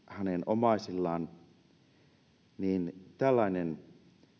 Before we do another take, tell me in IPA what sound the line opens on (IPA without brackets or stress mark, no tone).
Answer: h